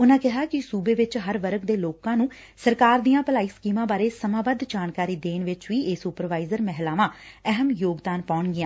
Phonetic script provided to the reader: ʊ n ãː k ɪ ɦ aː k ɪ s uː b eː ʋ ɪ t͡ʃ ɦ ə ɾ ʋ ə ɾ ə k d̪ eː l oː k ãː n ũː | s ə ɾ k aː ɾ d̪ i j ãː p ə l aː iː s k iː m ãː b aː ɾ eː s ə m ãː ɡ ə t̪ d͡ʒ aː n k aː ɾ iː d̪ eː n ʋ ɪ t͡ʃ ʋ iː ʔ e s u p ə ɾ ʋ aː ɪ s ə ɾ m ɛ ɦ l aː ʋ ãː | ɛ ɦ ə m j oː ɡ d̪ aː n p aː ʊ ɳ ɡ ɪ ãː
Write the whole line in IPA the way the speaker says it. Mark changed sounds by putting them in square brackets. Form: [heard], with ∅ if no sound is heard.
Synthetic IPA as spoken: ʊ n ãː k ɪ ɦ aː k ɪ s uː b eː ʋ ɪ t͡ʃ ɦ ə ɾ ʋ ə ɾ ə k d̪ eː l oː k ãː n ũː | s ə ɾ k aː ɾ d̪ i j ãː p ə l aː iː s k iː m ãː b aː ɾ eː s ə m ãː [b] ə [d̪] d͡ʒ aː n k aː ɾ iː d̪ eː n ʋ ɪ t͡ʃ ʋ iː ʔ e s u p ə ɾ ʋ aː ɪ [z] ə ɾ m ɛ ɦ l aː ʋ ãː | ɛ ɦ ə m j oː ɡ d̪ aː n p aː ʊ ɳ ɡ ɪ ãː